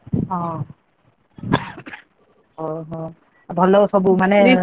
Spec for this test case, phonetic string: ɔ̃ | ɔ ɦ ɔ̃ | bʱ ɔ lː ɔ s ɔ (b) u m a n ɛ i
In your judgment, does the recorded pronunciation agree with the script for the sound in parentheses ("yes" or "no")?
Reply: yes